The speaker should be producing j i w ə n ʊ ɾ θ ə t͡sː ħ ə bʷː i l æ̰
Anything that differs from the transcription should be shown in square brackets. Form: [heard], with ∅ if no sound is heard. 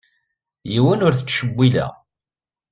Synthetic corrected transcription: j i w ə n ʊ ɾ θ ə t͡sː [ʃ] ə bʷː i l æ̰